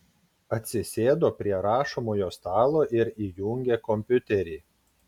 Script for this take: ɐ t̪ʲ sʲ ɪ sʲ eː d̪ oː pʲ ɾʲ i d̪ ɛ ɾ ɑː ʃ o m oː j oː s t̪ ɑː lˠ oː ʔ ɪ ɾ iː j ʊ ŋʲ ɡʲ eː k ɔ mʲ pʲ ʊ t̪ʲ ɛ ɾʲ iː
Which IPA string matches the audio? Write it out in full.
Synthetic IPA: ɐ t̪ʲ sʲ ɪ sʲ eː d̪ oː pʲ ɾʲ i ɛ ɾ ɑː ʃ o m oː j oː s t̪ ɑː lˠ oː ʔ ɪ ɾ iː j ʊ ŋʲ ɡʲ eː k ɔ mʲ pʲ ʊ t̪ʲ ɛ ɾʲ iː